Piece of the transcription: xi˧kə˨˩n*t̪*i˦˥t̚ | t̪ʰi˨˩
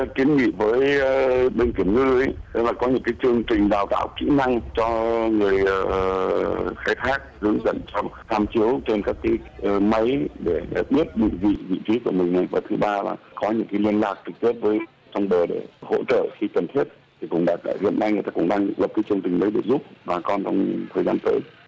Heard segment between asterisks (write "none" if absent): t̪ʰ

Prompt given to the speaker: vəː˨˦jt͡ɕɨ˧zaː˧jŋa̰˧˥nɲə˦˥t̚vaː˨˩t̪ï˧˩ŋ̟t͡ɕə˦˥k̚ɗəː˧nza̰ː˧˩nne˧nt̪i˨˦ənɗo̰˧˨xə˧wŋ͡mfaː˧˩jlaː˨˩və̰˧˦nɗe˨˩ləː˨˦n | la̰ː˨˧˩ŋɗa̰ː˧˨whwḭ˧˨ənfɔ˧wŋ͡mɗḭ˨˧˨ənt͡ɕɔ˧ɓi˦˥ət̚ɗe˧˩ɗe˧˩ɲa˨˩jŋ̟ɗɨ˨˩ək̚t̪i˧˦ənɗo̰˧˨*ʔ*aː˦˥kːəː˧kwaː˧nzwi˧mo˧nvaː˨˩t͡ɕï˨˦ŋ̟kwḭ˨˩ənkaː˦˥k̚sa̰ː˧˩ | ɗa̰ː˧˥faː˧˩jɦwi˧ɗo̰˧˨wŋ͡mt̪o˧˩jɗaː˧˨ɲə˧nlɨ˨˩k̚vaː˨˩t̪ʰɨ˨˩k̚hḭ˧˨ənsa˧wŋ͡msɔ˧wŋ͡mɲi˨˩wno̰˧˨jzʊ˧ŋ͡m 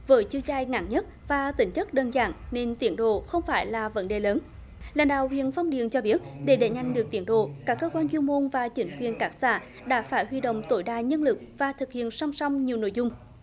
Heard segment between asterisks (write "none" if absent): k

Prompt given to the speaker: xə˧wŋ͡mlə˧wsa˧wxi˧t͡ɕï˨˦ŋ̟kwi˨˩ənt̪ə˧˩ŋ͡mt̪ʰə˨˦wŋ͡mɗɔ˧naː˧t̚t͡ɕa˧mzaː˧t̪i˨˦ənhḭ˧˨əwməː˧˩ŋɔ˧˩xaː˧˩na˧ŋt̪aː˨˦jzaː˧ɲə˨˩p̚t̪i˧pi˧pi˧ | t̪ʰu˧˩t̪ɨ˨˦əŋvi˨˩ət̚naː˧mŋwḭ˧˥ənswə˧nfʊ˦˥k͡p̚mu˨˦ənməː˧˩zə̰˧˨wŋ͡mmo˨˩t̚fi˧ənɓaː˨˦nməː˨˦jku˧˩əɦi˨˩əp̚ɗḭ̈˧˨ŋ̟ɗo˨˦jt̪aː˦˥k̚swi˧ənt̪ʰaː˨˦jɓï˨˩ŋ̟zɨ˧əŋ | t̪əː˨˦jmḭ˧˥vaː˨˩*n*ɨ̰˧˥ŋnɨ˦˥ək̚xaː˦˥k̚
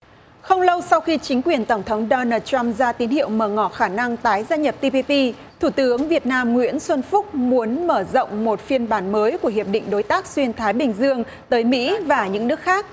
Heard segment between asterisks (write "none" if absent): ɲ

